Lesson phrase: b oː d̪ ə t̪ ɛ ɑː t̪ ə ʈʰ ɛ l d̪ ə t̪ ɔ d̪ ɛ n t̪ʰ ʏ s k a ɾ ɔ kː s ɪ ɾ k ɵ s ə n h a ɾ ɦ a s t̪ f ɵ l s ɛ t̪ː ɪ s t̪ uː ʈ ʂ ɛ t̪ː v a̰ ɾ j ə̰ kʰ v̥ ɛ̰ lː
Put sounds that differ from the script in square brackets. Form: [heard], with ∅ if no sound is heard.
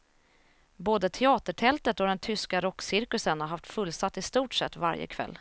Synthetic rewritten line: b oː d̪ ə [t̪ʰ] ɛ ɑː t̪ ə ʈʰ ɛ l [t̪] ə t̪ ɔ d̪ ɛ n t̪ʰ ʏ s k a ɾ ɔ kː s ɪ ɾ k ɵ s ə n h a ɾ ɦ a [f] t̪ f ɵ l s [a] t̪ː ɪ s t̪ uː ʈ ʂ ɛ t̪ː v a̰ ɾ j ə̰ kʰ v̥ ɛ̰ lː